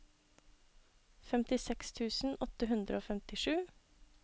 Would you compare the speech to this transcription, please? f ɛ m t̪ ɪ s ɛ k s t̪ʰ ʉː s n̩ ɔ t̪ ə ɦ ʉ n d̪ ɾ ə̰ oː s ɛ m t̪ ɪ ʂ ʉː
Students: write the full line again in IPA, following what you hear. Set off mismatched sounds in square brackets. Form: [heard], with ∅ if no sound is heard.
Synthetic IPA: f ɛ m t̪ ɪ s ɛ k s t̪ʰ ʉː s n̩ ɔ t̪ ə ɦ ʉ n d̪ ɾ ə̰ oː [f] ɛ m t̪ ɪ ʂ ʉː